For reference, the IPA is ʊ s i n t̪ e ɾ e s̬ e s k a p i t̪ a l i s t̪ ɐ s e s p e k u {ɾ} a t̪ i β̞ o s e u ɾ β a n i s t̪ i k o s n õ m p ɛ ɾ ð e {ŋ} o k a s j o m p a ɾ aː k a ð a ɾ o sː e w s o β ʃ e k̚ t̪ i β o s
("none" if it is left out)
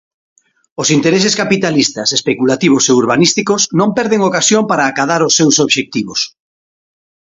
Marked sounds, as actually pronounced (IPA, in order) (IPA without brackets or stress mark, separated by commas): l, ŋ